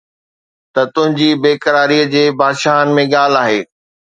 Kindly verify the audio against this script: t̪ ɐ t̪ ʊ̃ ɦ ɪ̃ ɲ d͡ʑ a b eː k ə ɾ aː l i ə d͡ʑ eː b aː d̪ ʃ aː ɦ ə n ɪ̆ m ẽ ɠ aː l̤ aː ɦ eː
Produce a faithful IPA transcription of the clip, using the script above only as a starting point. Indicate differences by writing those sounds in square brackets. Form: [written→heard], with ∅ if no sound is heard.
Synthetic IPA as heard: t̪ ɐ t̪ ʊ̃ ɦ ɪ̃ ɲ d͡ʑ [a→i] b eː k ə ɾ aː [l→ɾ] i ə d͡ʑ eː b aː d̪ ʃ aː ɦ ə n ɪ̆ m ẽ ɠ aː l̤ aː ɦ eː